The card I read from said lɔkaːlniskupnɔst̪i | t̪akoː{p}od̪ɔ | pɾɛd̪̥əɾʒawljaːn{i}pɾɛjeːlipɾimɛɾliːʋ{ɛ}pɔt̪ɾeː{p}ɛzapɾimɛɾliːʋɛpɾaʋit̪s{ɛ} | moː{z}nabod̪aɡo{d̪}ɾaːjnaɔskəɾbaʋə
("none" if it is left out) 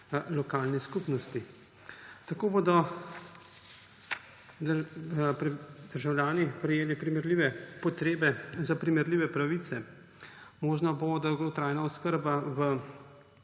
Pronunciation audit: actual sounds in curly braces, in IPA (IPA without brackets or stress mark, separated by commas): b, i, ɛ, b, ɛ, ʒ, t̪